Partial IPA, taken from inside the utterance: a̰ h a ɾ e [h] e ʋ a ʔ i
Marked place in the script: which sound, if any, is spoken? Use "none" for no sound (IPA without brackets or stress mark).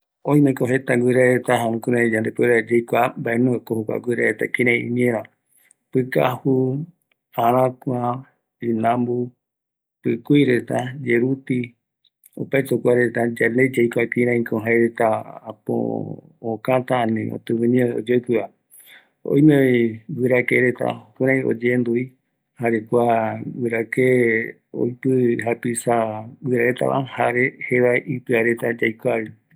h